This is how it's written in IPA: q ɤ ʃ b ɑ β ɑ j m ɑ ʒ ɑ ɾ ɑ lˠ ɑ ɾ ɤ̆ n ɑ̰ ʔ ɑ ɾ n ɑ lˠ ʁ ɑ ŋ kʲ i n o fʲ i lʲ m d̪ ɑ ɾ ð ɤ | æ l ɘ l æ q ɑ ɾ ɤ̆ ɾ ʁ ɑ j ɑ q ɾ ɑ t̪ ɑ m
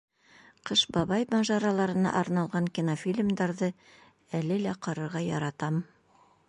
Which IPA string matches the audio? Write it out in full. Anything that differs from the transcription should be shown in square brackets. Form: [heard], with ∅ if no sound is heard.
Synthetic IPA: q ɤ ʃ b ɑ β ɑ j m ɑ ʒ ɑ ɾ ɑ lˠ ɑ ɾ ɤ̆ n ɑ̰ ʔ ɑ ɾ n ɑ lˠ ʁ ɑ ŋ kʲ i n o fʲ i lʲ m d̪ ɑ ɾ ð ɤ | æ l ɘ l æ q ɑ ɾ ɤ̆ ɾ ʁ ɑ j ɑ [∅] ɾ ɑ t̪ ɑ m